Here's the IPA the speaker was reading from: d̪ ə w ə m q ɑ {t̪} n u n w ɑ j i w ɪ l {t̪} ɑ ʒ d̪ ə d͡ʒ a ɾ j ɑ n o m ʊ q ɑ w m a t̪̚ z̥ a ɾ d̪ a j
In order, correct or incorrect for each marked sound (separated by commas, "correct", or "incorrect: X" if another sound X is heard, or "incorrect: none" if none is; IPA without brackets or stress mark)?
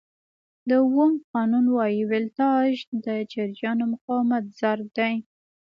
incorrect: none, correct